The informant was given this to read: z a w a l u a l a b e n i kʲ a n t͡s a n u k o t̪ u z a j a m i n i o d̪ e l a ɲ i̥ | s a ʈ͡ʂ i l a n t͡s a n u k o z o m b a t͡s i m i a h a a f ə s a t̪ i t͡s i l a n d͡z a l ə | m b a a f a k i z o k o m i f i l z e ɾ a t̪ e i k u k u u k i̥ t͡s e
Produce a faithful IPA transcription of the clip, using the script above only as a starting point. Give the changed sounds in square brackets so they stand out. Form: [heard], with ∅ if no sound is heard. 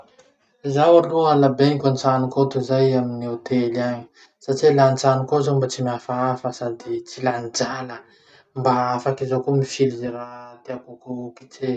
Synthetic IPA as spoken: z a w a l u a l a b e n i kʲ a n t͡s a n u k o t̪ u z a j a m i n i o [t̪] e l a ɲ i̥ | s a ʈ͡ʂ i l a n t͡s a n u k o z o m b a t͡s i m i a [f] a a f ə s a [d̪] i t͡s i l a n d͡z a l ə | m b a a f a k i z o k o m i f i l z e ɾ a t̪ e [a] k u k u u k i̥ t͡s e